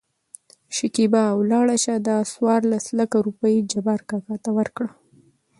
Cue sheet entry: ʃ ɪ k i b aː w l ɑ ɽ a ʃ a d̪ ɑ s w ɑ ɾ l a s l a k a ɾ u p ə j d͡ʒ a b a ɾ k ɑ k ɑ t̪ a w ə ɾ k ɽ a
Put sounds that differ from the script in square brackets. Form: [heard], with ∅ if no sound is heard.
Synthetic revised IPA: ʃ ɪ k i b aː w l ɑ ɽ a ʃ a d̪ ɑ s w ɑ ɾ l a s l a k a ɾ u p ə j d͡ʒ a b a ɾ k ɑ k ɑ t̪ a w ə ɾ k ɽ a